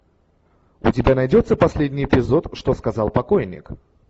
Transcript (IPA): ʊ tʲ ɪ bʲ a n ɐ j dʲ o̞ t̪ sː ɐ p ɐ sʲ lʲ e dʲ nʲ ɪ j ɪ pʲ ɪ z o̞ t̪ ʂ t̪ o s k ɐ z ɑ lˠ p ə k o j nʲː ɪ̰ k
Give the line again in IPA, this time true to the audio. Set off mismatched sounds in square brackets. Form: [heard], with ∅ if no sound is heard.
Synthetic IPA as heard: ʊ tʲ ɪ bʲ a n ɐ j dʲ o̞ t̪ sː [ə] p ɐ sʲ lʲ e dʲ nʲ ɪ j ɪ pʲ ɪ z o̞ t̪ ʂ t̪ o s k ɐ z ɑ lˠ p [ɐ] k o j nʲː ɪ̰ k